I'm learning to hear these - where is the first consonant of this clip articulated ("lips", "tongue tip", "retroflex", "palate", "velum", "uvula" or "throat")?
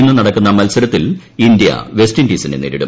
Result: tongue tip